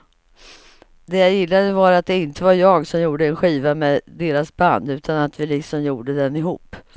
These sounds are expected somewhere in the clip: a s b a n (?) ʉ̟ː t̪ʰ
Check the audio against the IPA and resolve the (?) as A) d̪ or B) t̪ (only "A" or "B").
A